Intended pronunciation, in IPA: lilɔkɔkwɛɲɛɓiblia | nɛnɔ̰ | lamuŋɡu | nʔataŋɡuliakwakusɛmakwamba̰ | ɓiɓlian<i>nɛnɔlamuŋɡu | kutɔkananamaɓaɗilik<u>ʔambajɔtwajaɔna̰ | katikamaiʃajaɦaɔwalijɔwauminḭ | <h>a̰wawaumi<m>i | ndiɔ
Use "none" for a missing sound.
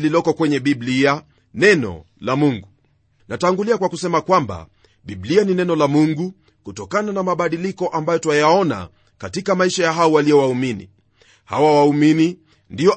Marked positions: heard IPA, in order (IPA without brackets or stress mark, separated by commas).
i, ɔ, h, n